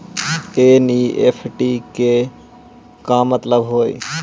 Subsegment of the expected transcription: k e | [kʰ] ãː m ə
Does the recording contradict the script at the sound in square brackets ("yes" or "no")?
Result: yes